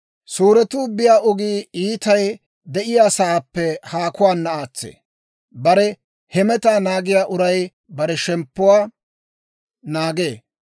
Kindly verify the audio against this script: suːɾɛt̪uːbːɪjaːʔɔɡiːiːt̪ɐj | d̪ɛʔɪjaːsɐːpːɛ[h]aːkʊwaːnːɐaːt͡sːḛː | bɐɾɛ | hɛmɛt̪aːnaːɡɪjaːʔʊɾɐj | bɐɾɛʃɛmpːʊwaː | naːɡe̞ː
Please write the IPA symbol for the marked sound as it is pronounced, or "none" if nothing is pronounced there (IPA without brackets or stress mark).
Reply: h